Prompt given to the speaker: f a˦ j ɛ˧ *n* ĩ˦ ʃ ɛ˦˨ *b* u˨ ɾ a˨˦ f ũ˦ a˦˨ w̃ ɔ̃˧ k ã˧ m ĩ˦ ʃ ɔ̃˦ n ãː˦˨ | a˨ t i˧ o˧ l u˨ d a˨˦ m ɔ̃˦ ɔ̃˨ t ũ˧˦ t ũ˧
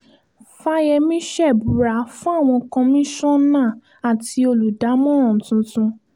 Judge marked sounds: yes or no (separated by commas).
no, yes